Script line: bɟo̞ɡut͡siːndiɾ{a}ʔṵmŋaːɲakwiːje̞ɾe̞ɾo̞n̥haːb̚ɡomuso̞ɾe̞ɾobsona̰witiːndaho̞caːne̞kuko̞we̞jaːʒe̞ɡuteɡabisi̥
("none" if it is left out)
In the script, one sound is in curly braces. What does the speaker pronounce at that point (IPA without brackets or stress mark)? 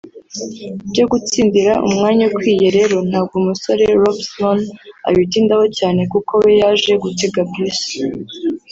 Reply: a